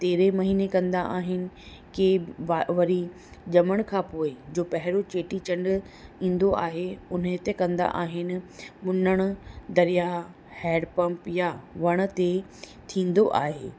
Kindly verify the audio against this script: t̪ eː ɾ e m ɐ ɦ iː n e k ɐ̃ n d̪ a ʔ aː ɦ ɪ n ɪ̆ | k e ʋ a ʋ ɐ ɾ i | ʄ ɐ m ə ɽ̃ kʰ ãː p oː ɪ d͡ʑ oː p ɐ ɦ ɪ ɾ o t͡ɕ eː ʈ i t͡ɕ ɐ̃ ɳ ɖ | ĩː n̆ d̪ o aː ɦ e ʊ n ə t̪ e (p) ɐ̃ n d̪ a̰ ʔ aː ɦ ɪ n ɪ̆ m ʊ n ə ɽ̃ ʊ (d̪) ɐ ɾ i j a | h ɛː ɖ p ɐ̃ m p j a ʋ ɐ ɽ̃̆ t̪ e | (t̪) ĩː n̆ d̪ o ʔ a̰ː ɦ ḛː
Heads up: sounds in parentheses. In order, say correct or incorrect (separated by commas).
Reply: incorrect, correct, incorrect